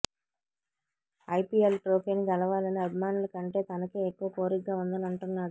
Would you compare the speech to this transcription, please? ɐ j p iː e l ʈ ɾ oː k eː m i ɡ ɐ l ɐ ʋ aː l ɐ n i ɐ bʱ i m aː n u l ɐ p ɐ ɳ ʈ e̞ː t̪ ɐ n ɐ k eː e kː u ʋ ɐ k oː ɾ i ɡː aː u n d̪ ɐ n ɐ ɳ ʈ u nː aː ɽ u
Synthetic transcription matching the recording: ɐ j p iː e l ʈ ɾ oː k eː n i ɡ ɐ l ɐ ʋ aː l ɐ n i ɐ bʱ i m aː n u l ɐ k ɐ ɳ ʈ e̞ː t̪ ɐ n ɐ k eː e kː u ʋ ɐ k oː ɾ i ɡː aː u n d̪ ɐ n ɐ ɳ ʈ u nː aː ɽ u